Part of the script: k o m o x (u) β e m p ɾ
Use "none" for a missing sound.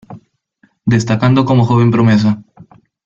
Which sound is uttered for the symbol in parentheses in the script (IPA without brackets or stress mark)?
o